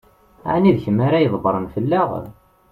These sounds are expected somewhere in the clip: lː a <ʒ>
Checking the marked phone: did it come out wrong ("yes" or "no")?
yes